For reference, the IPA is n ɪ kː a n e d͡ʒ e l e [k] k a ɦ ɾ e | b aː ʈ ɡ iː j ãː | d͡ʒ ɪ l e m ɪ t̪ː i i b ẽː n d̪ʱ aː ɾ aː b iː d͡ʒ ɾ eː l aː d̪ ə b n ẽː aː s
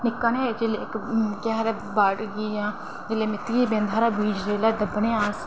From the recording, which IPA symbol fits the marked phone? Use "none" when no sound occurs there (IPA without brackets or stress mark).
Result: k